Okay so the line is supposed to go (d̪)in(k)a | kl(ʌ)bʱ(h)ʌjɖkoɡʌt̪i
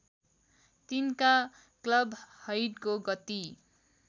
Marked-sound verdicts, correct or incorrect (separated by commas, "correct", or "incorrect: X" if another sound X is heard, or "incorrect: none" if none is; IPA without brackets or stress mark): incorrect: t̪, correct, correct, correct